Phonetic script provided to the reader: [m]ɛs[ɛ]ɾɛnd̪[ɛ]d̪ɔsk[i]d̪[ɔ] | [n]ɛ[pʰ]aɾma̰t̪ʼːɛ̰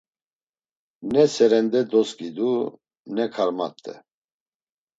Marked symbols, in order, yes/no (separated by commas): no, yes, yes, yes, no, yes, no